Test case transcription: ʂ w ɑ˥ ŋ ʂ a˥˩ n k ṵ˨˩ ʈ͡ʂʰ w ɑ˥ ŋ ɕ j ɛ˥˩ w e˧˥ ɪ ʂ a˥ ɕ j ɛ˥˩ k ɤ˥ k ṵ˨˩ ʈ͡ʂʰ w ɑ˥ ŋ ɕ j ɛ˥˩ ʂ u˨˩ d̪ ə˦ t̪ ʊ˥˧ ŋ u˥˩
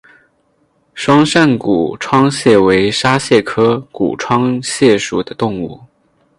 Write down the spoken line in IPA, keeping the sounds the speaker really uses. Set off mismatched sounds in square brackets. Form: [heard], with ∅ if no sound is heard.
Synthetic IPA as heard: ʂ w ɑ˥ ŋ ʂ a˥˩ n k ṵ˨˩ ʈ͡ʂʰ w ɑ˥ ŋ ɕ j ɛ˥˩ w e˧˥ ɪ ʂ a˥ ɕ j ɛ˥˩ [kʰ] ɤ˥ k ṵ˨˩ ʈ͡ʂʰ w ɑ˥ ŋ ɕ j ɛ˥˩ ʂ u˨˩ d̪ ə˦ t̪ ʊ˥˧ ŋ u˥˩